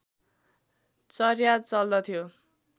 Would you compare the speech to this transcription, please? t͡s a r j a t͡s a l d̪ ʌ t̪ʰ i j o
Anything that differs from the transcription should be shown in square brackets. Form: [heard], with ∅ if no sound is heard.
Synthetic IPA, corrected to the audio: t͡s [ʌ] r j a t͡s [ʌ] l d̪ ʌ t̪ʰ i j o